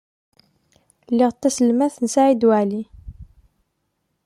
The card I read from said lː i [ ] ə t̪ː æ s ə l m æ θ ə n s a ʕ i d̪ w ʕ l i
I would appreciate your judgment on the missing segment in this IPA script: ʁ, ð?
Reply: ʁ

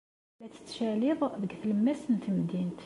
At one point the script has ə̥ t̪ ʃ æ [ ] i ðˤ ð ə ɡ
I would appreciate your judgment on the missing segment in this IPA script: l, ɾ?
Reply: l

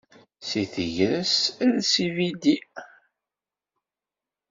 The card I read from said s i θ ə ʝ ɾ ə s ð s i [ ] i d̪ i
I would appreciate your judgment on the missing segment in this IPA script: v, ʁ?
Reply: v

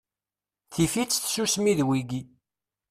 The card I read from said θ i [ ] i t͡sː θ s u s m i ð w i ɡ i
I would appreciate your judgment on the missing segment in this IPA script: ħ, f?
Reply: f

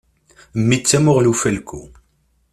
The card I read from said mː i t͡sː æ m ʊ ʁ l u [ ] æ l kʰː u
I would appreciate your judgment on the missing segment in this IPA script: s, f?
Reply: f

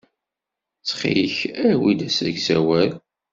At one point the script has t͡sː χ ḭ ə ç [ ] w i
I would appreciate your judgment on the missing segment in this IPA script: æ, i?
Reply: æ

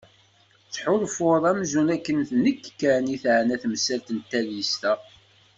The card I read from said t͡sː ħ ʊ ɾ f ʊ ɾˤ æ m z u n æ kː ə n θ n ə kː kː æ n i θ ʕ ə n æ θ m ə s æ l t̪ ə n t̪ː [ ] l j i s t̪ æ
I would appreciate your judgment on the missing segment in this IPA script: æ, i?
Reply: æ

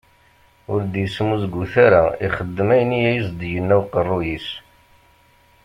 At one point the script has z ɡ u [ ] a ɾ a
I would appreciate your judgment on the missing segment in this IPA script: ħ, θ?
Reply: θ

